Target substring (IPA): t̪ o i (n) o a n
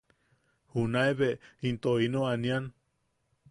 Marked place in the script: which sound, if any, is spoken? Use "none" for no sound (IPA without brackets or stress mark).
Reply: n